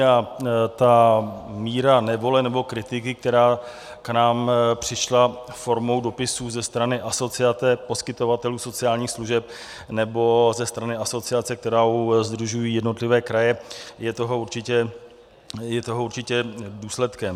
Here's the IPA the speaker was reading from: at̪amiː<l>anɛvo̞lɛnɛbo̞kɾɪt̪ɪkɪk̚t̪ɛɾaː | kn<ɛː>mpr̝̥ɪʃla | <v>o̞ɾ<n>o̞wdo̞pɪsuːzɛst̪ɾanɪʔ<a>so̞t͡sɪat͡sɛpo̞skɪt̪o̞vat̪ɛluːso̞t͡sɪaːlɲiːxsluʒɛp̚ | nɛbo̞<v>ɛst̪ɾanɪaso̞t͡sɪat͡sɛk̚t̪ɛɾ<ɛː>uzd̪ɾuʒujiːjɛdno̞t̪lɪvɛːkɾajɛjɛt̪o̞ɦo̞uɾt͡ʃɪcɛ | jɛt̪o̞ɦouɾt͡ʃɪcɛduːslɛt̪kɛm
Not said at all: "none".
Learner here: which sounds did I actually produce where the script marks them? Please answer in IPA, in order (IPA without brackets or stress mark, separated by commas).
ɾ, aː, f, m, a, z, aː